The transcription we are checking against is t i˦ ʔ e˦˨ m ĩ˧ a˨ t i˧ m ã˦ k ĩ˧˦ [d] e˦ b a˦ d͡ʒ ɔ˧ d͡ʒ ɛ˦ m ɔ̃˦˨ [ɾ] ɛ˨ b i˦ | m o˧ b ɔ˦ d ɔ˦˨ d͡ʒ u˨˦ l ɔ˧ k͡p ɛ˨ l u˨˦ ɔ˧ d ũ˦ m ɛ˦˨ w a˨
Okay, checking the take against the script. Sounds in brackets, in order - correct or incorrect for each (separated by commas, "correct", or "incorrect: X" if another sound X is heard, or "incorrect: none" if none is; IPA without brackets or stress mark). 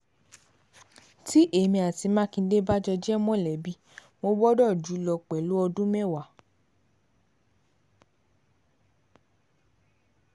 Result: correct, incorrect: l